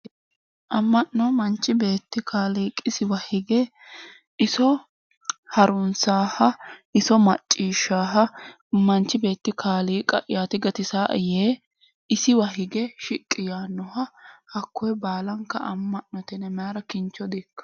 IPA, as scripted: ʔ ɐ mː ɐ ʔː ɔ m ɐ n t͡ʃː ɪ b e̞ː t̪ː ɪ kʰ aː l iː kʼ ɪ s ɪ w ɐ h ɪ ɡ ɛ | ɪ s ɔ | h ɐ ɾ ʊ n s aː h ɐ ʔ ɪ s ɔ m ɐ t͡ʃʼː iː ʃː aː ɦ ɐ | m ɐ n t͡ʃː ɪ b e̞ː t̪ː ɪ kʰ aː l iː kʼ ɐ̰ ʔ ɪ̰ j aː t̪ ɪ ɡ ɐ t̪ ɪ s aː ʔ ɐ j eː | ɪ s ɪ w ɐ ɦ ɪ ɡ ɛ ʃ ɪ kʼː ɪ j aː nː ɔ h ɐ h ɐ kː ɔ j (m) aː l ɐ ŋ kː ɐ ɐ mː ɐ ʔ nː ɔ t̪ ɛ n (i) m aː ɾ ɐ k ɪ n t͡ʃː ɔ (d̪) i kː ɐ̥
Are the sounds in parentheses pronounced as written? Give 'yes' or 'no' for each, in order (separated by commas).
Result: no, no, yes